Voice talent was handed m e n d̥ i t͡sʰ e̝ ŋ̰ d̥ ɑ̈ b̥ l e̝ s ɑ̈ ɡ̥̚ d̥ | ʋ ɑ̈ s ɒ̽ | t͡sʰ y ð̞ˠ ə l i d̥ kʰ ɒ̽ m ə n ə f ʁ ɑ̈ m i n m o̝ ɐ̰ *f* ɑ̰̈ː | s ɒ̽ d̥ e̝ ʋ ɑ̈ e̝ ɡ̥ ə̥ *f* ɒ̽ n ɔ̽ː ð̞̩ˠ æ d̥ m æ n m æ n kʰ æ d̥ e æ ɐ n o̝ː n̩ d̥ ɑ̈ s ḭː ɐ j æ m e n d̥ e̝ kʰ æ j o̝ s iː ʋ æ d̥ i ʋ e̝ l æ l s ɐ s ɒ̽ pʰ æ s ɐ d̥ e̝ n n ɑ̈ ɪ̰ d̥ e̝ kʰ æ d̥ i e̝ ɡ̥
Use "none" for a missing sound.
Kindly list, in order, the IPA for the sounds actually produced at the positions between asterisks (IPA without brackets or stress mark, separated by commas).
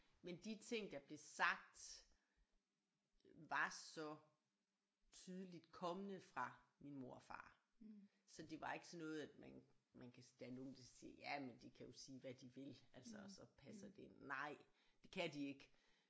f, s